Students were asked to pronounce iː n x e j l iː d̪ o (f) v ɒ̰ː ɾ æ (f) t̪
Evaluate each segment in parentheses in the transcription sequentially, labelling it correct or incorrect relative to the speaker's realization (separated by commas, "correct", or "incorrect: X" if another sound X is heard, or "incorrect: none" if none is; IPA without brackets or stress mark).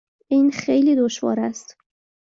incorrect: ʃ, incorrect: s